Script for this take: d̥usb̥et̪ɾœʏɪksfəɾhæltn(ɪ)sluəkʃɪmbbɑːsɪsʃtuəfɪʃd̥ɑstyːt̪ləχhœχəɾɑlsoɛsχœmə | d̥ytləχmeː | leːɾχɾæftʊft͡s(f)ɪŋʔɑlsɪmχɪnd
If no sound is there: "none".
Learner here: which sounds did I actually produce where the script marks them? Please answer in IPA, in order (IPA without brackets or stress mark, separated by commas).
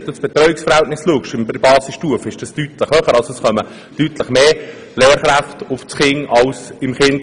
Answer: ɪ, χ